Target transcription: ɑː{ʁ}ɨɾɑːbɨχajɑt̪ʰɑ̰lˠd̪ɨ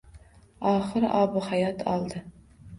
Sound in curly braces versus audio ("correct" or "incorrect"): incorrect